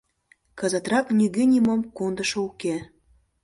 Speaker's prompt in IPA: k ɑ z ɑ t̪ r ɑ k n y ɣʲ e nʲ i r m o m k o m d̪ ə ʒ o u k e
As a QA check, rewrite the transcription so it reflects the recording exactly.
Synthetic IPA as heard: k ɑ z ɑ t̪ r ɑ k n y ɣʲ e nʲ i m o m k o n d̪ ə ʃ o u k e